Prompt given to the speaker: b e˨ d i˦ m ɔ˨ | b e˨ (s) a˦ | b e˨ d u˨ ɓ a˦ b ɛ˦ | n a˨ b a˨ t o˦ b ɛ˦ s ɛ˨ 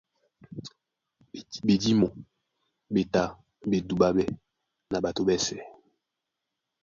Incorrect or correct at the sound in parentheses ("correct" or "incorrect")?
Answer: incorrect